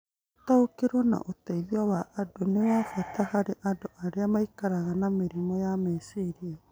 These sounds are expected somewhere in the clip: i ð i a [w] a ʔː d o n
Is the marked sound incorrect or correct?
correct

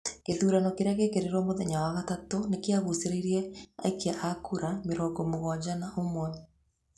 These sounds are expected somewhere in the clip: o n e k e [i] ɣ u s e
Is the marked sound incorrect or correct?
incorrect: a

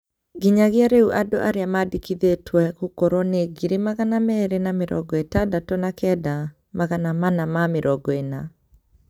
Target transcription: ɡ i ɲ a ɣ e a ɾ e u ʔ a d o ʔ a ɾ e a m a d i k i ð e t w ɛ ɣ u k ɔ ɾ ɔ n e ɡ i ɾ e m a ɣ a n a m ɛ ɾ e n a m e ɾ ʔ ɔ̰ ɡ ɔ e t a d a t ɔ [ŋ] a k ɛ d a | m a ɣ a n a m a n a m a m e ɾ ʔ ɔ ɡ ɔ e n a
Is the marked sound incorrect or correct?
incorrect: n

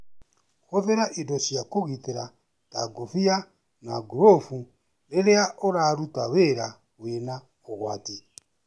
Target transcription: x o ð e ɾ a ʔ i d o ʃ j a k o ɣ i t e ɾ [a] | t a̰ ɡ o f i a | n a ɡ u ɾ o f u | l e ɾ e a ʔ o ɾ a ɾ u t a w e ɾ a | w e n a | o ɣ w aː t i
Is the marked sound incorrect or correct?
correct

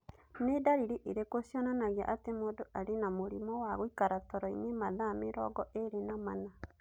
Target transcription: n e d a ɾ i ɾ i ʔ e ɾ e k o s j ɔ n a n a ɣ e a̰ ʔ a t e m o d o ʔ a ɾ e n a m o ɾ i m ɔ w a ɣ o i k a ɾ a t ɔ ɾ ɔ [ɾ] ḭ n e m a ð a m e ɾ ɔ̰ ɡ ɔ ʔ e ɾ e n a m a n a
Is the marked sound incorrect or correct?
incorrect: none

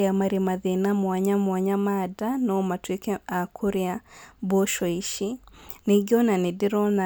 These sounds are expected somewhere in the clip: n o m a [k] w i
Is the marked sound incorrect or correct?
incorrect: t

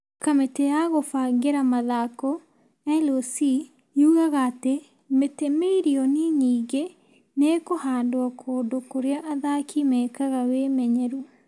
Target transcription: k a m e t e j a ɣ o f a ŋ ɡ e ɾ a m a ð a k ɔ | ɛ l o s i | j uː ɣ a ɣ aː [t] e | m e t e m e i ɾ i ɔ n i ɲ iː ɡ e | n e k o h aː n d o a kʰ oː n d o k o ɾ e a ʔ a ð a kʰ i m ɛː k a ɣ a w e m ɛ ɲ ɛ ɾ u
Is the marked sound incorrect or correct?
correct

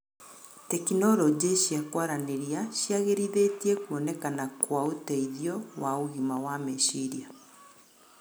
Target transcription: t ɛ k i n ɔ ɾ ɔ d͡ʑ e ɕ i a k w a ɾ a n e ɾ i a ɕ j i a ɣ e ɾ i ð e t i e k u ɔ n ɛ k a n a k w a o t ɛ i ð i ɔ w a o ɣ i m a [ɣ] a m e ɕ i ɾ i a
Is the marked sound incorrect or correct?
incorrect: w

